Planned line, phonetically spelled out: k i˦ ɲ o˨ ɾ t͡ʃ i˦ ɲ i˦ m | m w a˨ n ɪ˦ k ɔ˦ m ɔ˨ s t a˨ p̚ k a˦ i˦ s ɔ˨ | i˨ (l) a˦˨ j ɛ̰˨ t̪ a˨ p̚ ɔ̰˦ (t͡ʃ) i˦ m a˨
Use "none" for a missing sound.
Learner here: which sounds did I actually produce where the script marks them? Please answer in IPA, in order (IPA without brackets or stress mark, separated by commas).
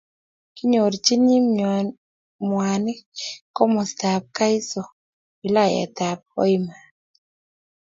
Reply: l, none